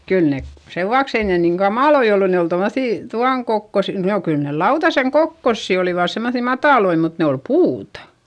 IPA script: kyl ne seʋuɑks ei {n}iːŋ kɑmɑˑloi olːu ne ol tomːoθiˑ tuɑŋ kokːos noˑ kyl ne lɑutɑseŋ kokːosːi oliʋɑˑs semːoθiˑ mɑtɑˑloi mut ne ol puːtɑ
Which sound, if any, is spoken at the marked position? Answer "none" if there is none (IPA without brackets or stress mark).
n